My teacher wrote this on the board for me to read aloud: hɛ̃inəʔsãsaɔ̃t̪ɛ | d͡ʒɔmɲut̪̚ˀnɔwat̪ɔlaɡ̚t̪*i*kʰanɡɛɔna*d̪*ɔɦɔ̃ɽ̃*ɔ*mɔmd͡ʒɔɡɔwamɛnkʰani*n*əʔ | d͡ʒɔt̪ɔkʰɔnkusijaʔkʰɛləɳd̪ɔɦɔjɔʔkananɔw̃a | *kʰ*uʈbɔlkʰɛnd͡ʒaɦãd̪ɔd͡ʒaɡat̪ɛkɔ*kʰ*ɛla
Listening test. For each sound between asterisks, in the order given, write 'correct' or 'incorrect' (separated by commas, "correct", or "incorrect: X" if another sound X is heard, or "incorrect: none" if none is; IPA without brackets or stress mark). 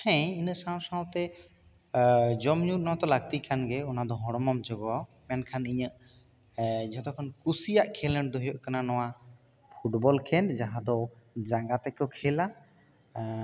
correct, correct, correct, incorrect: ɲ, incorrect: pʰ, correct